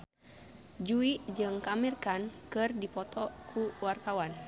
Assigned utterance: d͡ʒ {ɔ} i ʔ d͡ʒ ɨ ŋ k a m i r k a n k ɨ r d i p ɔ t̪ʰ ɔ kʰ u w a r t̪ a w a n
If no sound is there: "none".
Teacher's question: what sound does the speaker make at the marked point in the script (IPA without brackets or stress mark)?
u